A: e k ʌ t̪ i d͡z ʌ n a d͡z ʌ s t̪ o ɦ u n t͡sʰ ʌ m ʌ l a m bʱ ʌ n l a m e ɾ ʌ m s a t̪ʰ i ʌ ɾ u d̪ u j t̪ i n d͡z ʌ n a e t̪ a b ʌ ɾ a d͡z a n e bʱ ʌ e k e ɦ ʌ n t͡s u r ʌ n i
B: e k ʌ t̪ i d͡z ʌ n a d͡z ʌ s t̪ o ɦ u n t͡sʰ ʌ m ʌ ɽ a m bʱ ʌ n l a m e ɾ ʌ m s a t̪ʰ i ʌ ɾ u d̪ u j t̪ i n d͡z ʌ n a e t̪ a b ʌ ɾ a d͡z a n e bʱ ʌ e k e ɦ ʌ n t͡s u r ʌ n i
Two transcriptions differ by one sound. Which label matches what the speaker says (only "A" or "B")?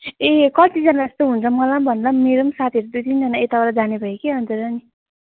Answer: A